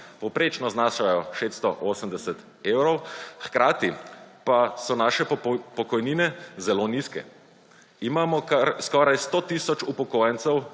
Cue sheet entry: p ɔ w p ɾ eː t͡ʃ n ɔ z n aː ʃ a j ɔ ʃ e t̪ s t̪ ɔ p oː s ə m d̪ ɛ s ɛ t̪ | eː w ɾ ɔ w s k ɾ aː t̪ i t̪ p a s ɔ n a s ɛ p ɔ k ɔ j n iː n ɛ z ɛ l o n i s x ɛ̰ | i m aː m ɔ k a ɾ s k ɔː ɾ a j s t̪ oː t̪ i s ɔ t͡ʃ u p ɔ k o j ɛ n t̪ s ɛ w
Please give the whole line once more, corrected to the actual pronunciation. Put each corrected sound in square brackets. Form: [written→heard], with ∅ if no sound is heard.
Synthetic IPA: p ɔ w p ɾ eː t͡ʃ n ɔ z n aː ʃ a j ɔ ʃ e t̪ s t̪ ɔ [p→ʔ] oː s ə m d̪ ɛ s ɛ t̪ | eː w ɾ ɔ w [s→x] k ɾ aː t̪ i [t̪→∅] p a s ɔ n a [s→ʃ] ɛ p ɔ k ɔ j n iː n ɛ z ɛ l o n i s [x→k] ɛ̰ | i m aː m ɔ k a ɾ s k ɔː ɾ a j s t̪ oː t̪ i s ɔ t͡ʃ u p ɔ k o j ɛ n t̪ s ɛ w